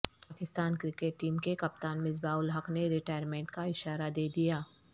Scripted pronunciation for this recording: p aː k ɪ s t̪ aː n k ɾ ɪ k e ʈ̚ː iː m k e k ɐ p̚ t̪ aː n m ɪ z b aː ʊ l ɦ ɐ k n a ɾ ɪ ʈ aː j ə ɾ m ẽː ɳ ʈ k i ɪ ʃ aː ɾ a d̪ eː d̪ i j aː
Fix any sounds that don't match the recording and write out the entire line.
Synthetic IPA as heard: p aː k ɪ s t̪ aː n k ɾ ɪ k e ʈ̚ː iː m k e k ɐ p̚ t̪ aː n m ɪ z b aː ʊ l ɦ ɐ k n e ɾ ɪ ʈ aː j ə ɾ m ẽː ɳ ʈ k a ɪ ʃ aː ɾ a d̪ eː d̪ i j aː